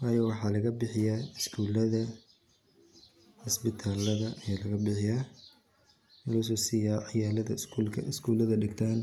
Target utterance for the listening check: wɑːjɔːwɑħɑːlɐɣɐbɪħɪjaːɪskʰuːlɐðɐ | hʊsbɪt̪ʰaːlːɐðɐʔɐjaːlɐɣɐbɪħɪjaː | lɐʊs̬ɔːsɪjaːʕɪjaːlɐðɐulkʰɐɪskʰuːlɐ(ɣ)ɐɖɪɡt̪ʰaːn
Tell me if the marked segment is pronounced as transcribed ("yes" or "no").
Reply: no